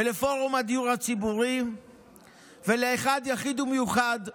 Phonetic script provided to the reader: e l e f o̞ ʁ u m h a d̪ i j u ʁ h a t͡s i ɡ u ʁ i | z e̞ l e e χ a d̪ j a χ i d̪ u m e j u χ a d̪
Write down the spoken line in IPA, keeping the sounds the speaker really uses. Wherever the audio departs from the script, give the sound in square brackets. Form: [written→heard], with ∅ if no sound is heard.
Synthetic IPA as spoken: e l e f o̞ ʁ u m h a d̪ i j u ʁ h a t͡s i [ɡ→b] u ʁ i | [z→v] e̞ l e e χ a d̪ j a χ i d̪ u m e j u χ a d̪